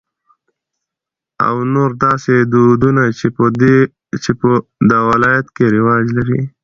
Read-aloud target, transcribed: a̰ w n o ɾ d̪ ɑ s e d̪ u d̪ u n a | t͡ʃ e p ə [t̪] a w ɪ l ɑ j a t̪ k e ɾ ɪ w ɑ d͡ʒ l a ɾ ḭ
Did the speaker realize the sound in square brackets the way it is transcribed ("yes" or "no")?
no